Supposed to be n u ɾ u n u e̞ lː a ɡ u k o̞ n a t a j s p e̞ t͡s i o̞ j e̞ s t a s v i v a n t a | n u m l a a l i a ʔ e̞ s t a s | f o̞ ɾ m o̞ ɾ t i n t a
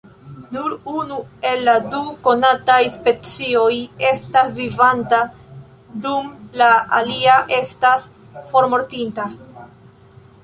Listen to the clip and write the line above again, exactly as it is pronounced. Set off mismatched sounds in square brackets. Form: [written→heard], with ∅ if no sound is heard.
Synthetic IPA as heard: n u ɾ u n u e̞ lː a [ɡ→d] u k o̞ n a t a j s p e̞ t͡s i o̞ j e̞ s t a s v i v a n t a | [n→d] u m l a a l i a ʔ e̞ s t a s | f o̞ ɾ m o̞ ɾ t i n t a